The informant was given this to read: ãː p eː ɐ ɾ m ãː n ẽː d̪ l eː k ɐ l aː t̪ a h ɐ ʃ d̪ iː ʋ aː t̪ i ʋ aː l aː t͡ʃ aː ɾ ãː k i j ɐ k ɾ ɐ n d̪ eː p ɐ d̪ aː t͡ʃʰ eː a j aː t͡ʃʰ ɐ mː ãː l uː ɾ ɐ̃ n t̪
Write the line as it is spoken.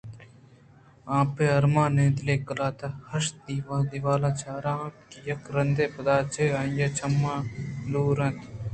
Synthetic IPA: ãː p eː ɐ ɾ m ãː n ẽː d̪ l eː k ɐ l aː t̪ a h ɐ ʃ d̪ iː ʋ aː d̪ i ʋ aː l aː t͡ʃ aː ɾ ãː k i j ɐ k ɾ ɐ n d̪ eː p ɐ d̪ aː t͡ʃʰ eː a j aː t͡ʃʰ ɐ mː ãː l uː ɾ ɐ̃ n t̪